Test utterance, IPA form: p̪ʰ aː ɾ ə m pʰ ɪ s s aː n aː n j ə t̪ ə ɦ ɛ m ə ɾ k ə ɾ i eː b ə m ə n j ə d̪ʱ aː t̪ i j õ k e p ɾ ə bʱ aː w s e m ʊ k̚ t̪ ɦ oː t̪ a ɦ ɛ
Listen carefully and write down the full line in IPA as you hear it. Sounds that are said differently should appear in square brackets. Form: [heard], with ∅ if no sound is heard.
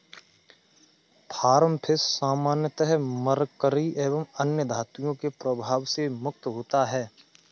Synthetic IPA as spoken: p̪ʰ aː ɾ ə m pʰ ɪ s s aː [m] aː n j ə t̪ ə ɦ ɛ m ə ɾ k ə ɾ i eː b ə m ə n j ə d̪ʱ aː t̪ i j õ k e p ɾ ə bʱ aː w s e m ʊ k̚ t̪ ɦ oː t̪ a ɦ [ɛː]